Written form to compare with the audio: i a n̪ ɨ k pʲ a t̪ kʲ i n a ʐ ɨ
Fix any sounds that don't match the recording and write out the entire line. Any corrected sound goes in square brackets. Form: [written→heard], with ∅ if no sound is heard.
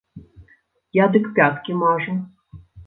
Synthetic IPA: [i→j] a [n̪→d̪] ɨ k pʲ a t̪ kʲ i [n→m] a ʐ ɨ